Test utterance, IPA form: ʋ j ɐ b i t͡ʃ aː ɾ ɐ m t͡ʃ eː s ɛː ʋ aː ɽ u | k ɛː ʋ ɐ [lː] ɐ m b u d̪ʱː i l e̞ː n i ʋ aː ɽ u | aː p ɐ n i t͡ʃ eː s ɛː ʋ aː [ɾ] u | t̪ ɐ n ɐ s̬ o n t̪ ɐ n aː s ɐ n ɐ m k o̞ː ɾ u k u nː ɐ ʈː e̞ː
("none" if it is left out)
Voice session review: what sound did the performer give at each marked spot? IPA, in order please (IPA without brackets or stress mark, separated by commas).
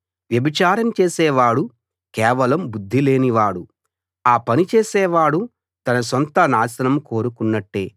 l, ɽ